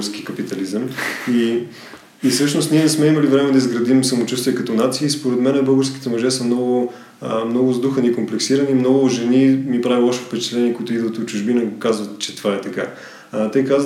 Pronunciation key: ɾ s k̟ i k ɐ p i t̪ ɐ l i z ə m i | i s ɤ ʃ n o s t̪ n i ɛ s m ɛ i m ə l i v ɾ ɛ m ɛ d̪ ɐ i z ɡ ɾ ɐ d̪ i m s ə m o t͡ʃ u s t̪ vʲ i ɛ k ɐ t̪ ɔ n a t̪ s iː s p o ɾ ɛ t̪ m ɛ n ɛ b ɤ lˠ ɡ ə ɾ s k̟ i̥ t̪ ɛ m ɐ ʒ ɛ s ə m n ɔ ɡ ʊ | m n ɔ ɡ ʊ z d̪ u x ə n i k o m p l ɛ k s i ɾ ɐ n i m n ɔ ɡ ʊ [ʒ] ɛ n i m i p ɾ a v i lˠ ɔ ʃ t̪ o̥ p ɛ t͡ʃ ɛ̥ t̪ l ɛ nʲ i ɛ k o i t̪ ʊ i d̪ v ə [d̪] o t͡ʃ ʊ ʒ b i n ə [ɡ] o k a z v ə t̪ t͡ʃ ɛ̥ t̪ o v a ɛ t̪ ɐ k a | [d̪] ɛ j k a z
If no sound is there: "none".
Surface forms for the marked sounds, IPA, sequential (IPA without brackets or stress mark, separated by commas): ʒ, t̪, ɡ, t̪